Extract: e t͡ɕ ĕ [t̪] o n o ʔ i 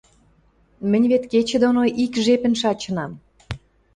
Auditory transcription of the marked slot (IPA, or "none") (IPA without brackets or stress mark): d̪